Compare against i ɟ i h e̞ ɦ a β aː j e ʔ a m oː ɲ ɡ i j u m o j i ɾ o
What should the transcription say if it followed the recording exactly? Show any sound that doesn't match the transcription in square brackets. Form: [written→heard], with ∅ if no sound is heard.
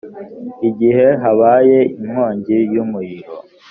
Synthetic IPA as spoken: i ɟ i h e̞ ɦ a β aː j e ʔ [a→i] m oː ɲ [ɡ→ɟ] i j u m [o→u] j i ɾ o

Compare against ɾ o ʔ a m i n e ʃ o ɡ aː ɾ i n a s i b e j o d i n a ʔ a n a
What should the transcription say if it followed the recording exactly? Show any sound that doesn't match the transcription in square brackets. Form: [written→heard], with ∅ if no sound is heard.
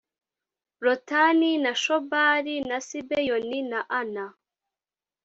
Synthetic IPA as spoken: ɾ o [ʔ→t] a [m→n] i n [e→a] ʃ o [ɡ→b] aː ɾ i n a s i b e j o [d→n] i n a ʔ a n a

